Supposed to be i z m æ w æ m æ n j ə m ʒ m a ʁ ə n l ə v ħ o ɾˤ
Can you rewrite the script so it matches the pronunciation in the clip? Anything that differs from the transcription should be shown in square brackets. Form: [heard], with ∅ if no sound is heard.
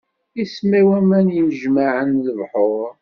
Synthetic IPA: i [s] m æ w æ m æ n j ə m ʒ m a [ʕ] ə n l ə v ħ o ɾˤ